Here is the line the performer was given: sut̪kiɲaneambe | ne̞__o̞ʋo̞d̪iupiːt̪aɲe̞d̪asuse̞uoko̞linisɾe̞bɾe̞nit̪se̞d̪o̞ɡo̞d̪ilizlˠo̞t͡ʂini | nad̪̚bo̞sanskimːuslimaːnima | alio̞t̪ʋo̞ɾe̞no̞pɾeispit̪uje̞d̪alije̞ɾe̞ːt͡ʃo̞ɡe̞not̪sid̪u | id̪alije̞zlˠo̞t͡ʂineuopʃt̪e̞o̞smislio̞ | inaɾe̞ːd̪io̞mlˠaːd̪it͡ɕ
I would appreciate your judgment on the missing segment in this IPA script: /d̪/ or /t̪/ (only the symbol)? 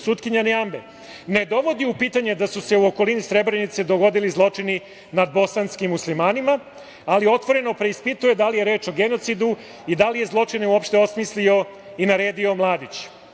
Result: d̪